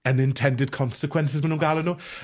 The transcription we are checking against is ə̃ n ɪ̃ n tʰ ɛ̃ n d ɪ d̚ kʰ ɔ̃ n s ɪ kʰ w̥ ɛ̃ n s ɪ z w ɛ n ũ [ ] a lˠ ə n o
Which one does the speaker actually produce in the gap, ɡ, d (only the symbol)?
ɡ